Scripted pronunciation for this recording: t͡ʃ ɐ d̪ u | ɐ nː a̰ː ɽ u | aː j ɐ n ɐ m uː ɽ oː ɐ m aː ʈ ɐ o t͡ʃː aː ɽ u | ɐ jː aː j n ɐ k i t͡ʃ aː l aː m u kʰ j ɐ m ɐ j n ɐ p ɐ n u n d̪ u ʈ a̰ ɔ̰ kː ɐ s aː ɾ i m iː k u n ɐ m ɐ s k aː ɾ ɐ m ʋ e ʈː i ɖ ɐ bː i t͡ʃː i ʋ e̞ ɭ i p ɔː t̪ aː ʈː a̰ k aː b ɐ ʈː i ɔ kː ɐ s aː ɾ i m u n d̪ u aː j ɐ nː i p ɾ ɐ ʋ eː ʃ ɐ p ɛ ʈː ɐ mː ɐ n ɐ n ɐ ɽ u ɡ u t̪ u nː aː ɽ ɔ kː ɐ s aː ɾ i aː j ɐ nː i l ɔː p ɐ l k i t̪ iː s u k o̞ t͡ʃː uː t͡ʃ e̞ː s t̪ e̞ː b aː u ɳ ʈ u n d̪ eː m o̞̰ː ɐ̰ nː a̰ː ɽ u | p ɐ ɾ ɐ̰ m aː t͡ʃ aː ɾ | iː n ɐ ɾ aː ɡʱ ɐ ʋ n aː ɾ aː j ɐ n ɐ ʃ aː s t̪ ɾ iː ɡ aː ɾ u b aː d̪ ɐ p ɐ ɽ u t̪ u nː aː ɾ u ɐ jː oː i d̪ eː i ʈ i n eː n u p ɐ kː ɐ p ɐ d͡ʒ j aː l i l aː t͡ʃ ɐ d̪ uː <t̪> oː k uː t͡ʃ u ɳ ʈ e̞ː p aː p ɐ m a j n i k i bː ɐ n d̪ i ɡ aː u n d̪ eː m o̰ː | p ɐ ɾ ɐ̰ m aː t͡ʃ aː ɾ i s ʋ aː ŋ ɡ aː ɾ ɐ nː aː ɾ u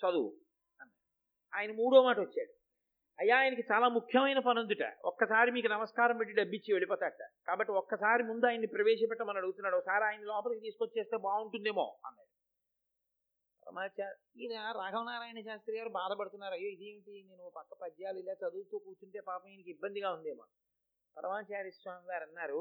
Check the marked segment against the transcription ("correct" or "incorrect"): correct